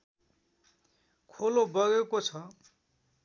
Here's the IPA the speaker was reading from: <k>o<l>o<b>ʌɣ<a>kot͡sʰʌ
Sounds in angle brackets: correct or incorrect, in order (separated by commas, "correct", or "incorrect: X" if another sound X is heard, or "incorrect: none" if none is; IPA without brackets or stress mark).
incorrect: kʰ, correct, correct, incorrect: e